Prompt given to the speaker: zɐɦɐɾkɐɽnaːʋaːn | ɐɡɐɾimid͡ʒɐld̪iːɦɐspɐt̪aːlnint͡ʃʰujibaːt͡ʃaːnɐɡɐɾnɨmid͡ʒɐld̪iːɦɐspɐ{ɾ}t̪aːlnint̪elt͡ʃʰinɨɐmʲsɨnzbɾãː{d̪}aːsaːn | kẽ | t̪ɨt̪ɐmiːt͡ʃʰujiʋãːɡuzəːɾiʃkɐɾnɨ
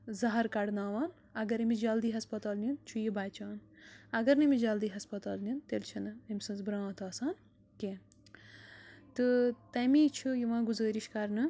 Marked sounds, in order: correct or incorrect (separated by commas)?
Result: incorrect, incorrect